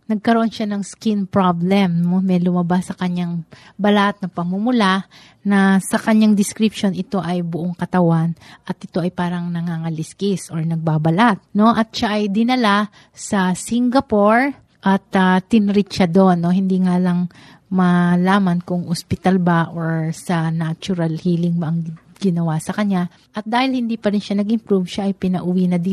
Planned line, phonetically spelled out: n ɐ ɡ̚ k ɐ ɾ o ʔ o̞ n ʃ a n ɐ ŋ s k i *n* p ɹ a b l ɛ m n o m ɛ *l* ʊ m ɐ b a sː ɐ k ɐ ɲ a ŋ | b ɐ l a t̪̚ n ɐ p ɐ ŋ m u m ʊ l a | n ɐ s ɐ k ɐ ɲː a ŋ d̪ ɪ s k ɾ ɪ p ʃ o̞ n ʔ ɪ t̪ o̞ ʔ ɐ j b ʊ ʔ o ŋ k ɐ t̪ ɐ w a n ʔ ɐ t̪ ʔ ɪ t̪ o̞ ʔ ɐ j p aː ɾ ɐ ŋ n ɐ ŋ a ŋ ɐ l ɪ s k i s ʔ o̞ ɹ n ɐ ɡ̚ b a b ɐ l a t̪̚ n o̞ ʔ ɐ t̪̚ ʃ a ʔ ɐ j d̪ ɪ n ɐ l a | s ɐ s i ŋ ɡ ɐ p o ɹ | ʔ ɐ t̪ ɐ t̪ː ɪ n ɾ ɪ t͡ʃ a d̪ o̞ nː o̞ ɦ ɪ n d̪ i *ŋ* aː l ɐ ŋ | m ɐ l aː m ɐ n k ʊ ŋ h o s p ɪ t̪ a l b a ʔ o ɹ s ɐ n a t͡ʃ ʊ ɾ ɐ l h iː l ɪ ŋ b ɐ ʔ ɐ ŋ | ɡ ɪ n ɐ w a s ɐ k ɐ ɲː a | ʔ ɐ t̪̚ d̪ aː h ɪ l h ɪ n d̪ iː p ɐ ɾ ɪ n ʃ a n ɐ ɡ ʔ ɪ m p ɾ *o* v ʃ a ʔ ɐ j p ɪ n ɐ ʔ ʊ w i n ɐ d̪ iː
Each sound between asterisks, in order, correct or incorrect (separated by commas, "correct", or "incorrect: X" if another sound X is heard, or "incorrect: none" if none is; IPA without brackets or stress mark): correct, correct, correct, incorrect: u